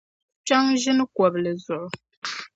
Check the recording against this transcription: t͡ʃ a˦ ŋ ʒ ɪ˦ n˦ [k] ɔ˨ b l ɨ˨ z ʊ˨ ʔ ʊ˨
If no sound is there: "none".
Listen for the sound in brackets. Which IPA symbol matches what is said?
k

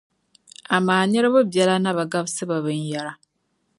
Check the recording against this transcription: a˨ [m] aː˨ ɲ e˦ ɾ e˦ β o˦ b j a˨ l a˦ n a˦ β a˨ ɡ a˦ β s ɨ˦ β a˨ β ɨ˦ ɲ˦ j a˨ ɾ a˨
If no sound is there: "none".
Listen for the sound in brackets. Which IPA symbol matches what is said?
m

